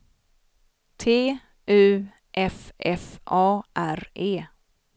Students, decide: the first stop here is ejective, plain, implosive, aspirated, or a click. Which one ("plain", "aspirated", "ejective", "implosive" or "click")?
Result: aspirated